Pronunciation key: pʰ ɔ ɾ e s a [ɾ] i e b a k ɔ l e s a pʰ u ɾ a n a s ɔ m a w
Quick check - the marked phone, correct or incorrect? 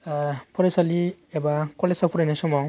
incorrect: l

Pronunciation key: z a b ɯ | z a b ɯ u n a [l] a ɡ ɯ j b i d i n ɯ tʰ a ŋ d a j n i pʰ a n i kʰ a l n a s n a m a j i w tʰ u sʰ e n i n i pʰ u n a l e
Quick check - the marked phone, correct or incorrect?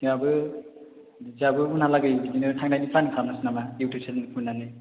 correct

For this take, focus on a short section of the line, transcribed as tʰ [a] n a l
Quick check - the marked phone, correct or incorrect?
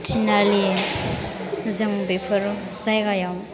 incorrect: i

